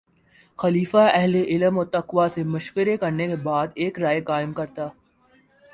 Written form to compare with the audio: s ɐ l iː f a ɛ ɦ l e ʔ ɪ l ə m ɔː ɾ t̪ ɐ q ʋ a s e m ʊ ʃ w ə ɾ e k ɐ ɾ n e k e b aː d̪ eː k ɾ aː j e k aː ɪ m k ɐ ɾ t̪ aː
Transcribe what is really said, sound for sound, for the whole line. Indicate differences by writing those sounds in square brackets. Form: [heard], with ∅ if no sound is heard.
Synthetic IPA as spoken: [x] ɐ l iː f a ɛ ɦ l e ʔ ɪ l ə m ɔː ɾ t̪ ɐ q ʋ a s e m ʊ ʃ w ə ɾ e k ɐ ɾ n e k e b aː d̪ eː k ɾ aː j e k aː ɪ m k ɐ ɾ t̪ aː